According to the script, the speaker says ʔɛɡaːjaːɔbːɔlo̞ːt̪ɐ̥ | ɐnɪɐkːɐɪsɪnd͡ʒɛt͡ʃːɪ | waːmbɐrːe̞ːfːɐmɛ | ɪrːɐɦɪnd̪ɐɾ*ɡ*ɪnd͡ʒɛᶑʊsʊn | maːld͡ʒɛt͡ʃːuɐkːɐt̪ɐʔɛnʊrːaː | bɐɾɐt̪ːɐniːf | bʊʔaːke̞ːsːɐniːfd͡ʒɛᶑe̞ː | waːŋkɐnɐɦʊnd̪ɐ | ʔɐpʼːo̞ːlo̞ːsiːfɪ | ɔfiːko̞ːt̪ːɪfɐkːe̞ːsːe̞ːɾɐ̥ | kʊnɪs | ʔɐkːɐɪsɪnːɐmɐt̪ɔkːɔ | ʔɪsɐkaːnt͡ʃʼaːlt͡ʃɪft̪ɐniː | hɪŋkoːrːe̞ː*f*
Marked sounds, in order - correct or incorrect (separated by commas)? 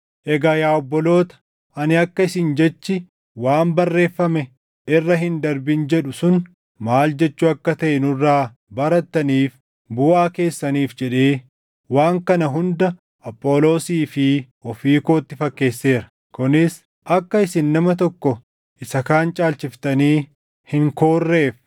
incorrect, correct